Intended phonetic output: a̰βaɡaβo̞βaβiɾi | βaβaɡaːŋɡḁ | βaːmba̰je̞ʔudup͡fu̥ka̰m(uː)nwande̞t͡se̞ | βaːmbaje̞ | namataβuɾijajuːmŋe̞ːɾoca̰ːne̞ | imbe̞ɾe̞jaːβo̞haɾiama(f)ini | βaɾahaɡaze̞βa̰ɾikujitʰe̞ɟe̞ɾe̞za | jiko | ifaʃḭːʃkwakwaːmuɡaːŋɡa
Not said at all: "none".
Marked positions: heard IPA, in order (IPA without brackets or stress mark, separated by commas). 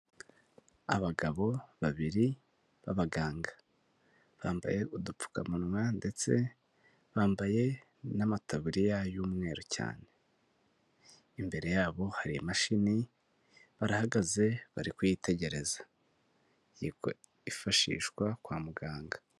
u, ʃ